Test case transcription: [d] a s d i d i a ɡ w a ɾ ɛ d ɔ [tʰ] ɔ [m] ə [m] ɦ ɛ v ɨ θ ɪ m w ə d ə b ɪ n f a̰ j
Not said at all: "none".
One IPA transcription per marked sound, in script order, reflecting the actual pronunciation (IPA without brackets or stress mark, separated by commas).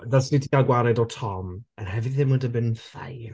d, tʰ, m, n